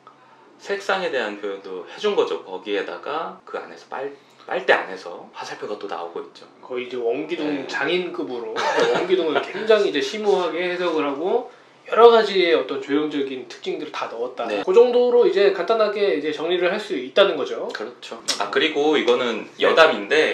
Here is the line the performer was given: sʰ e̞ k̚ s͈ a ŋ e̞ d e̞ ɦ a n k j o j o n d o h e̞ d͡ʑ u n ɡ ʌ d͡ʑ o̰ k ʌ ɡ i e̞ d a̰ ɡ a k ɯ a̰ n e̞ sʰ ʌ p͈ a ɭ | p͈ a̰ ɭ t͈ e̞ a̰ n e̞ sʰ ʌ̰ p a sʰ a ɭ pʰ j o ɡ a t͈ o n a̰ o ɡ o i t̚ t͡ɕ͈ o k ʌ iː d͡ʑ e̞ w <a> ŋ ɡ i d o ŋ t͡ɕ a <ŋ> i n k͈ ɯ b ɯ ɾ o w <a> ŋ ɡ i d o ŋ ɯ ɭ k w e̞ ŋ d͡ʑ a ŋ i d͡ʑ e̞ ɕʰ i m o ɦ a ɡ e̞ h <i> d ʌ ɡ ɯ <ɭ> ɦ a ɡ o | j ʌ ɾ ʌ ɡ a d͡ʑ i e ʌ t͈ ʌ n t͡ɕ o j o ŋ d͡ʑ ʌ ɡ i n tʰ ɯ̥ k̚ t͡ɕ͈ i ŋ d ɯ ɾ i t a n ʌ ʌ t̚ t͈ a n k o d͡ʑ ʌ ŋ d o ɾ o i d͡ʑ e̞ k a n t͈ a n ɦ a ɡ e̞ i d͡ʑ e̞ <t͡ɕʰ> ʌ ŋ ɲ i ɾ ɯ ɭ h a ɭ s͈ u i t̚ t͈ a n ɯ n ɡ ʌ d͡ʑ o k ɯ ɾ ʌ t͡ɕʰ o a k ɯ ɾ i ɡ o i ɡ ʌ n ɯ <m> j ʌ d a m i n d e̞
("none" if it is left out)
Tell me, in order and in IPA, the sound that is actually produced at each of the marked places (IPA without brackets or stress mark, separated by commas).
ʌ, ŋ, ʌ, e, ɾ, t͡ɕ, n